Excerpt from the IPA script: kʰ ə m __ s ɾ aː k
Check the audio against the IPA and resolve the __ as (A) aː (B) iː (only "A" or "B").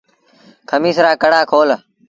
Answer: B